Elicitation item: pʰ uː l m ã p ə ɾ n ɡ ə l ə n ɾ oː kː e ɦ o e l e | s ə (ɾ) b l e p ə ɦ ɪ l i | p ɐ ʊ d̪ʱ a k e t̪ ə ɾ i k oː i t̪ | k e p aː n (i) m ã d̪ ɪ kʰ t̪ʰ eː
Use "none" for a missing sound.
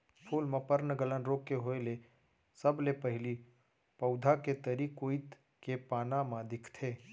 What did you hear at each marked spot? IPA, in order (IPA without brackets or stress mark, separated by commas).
none, a